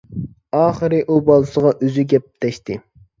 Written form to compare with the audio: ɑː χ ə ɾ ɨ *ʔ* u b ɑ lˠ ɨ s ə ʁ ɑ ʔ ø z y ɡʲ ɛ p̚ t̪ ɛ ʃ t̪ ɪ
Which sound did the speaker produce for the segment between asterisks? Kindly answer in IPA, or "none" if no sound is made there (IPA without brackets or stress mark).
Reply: ʔ